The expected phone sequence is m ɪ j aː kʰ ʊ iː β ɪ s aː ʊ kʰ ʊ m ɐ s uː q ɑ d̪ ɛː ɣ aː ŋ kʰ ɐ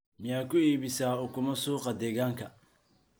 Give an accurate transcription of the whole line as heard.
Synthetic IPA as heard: m ɪ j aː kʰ ʊ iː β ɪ s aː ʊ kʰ ʊ m ɐ s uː q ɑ d̪ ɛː ɣ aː ŋ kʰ ɐ